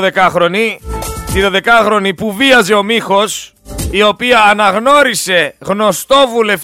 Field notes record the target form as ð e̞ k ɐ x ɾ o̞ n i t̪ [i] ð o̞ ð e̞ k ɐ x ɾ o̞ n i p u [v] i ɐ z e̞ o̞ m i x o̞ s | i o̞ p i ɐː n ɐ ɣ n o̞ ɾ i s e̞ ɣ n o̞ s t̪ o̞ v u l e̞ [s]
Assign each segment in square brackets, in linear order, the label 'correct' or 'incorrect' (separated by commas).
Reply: correct, correct, incorrect